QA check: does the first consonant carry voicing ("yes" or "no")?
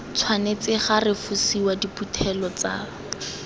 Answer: no